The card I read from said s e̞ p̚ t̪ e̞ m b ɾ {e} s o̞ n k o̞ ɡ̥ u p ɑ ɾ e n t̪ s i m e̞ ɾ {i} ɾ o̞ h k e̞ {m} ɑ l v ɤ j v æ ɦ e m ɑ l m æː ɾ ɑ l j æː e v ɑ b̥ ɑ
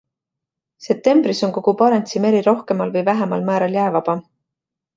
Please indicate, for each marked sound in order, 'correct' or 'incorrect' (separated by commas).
incorrect, correct, correct